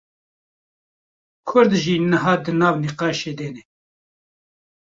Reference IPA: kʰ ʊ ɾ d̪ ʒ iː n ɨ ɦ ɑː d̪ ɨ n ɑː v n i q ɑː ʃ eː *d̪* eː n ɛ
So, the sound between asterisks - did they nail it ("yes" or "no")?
yes